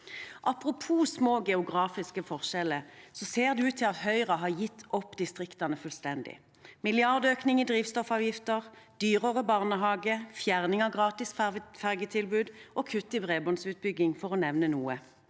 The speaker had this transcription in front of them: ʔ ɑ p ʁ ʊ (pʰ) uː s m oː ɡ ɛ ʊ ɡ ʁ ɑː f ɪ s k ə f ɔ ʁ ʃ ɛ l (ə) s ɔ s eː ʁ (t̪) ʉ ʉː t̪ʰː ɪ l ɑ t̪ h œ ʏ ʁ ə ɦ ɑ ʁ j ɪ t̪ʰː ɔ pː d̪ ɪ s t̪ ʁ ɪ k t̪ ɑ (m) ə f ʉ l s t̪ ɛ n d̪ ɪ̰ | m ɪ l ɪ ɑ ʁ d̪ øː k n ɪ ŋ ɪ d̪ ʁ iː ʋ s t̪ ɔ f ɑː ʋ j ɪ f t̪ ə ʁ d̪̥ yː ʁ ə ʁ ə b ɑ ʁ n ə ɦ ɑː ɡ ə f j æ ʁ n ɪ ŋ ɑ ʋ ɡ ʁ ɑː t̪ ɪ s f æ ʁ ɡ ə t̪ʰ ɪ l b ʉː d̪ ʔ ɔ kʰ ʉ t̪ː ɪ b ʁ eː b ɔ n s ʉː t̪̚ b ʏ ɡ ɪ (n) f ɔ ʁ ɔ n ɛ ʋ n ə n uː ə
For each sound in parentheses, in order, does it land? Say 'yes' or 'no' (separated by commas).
yes, yes, no, no, no